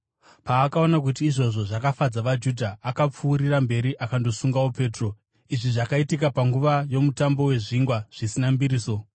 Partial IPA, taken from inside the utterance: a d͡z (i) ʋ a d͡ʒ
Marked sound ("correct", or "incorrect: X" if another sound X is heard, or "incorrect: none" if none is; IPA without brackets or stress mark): incorrect: a